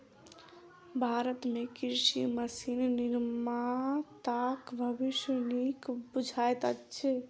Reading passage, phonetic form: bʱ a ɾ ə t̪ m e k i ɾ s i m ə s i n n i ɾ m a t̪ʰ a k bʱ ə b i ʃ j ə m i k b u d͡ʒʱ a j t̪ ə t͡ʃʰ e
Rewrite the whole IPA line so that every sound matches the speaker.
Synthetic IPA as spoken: bʱ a ɾ ə t̪ m e k i ɾ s i m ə s i n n i ɾ m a t̪ a k bʱ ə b i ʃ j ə n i k b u d͡ʒʱ a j t̪ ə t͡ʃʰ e